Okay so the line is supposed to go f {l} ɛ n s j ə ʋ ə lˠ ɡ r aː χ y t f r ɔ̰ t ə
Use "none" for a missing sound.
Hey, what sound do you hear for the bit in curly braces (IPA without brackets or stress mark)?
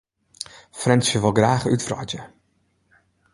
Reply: r